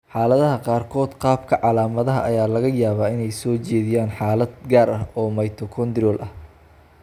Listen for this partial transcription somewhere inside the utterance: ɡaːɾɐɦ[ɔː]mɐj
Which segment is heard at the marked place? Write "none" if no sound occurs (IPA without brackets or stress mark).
ɔː